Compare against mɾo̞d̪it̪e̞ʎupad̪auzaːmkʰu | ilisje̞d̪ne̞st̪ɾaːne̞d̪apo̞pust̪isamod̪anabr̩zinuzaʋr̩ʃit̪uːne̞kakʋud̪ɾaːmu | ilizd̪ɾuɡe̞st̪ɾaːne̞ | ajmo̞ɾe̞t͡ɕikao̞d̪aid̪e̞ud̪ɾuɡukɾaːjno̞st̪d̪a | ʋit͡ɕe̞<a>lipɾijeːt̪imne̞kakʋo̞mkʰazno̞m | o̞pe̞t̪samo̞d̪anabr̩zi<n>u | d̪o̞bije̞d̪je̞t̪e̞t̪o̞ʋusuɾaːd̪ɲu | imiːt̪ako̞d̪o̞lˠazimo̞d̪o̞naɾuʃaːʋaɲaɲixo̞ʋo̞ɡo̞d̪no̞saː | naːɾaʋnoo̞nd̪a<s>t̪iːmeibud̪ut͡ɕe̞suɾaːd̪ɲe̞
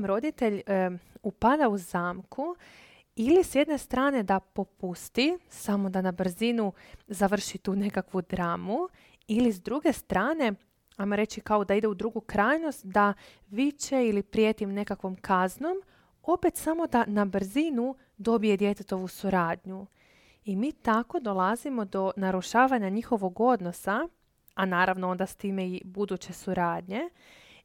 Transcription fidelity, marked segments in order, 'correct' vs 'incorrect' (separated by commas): incorrect, correct, correct